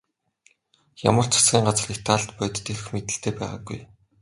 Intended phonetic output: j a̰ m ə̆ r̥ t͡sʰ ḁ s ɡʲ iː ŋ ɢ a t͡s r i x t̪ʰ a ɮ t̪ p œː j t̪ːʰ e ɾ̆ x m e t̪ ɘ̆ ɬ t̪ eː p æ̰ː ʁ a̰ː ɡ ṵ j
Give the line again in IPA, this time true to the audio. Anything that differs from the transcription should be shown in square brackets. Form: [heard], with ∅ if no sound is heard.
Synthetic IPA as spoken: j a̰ m ə̆ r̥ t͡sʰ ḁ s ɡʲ iː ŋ ɢ a t͡s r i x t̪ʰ a ɮ t̪ p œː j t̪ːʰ e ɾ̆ x m e t̪ ɘ̆ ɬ t̪ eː p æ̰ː ʁ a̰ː ɡ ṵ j